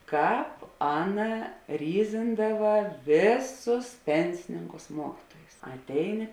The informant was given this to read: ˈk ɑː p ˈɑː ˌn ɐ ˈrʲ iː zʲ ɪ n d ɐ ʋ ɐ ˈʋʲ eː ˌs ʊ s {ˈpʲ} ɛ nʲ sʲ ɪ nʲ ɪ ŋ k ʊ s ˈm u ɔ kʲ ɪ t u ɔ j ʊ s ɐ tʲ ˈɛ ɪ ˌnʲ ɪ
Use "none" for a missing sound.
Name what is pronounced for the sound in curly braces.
pʲ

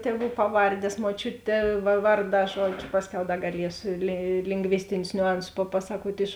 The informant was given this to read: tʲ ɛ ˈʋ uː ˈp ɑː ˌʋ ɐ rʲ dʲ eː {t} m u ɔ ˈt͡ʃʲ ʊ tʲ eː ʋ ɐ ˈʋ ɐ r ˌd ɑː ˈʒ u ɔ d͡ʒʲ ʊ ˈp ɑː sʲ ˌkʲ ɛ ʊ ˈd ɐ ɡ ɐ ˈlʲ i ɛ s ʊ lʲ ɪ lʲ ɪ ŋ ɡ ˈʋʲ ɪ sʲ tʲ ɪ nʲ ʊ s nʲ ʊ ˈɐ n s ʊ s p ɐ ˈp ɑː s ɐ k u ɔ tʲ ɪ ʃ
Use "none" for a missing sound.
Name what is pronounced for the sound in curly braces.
s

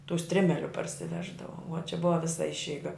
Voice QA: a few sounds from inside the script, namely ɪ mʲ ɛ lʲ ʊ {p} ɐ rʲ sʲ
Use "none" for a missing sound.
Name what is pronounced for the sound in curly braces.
p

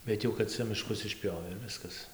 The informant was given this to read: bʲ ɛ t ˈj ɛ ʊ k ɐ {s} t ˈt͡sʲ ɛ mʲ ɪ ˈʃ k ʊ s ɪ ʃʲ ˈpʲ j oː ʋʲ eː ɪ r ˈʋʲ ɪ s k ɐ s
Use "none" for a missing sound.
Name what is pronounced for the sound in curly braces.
none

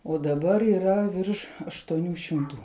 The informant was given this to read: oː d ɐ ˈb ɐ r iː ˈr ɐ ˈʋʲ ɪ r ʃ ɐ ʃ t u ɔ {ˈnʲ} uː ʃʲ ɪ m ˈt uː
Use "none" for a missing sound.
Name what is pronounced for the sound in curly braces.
nʲ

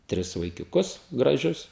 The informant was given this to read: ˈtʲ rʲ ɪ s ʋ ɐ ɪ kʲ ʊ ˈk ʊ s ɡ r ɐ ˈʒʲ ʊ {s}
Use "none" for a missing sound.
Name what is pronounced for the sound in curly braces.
s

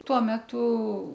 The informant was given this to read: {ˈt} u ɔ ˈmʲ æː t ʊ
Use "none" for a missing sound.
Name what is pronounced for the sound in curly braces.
t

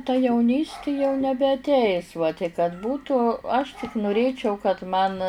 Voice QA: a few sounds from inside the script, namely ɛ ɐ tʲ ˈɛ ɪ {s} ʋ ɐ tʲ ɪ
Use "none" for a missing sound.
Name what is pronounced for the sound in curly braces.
s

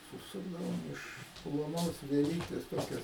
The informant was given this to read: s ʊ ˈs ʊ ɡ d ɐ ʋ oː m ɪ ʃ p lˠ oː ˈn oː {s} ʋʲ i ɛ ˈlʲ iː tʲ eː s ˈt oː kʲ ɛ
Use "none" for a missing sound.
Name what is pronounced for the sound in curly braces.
s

